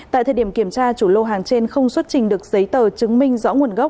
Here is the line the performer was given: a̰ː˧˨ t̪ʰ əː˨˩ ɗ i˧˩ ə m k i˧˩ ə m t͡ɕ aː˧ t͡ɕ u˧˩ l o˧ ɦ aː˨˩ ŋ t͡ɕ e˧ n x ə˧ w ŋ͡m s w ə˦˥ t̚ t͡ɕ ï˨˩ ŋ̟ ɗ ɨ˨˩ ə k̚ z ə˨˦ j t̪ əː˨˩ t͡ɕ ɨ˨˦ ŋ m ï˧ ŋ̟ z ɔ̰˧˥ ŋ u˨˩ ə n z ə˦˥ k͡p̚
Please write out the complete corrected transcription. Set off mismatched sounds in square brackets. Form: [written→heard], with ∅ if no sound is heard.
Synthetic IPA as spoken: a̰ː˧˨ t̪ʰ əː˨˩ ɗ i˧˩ ə m k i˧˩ ə m t͡ɕ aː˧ t͡ɕ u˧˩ l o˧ ɦ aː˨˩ ŋ t͡ɕ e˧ n x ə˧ w ŋ͡m s w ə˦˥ t̚ t͡ɕ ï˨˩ ŋ̟ ɗ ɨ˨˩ ə k̚ z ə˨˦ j t̪ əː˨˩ t͡ɕ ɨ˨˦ ŋ m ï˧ ŋ̟ z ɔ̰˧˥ ŋ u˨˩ ə n [z→ɣ] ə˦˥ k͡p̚